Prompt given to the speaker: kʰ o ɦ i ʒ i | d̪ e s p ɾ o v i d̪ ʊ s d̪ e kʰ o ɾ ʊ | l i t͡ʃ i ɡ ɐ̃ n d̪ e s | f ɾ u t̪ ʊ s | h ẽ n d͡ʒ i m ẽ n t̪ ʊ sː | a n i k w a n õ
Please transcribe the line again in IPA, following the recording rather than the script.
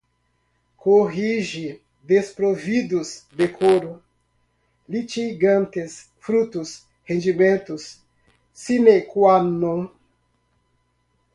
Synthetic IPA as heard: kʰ o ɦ i ʒ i | d̪ e s p ɾ o v i d̪ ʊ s d̪ e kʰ o ɾ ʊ | l i t͡ʃ i ɡ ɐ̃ n t̪ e s | f ɾ u t̪ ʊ s | h ẽ n d͡ʒ i m ẽ n t̪ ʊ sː | i n e k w a n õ